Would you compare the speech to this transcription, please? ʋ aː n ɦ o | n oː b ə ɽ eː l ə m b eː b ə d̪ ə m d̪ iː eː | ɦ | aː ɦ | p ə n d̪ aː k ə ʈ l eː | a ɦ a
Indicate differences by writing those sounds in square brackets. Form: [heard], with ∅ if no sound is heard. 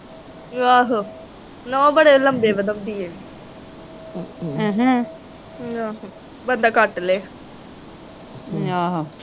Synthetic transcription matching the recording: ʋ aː [∅] ɦ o | n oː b ə ɽ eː l ə m b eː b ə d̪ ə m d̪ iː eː | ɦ | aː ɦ | [b] ə n d̪ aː k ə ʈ l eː | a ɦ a